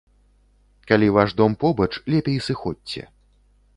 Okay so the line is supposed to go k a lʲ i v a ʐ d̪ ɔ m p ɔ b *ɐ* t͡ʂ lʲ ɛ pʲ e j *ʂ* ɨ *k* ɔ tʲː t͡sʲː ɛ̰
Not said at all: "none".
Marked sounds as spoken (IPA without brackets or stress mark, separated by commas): ɐ, s, x